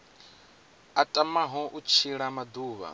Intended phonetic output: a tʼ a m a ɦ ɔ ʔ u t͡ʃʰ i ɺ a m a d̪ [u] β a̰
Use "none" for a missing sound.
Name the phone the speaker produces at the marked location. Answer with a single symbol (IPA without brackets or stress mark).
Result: uː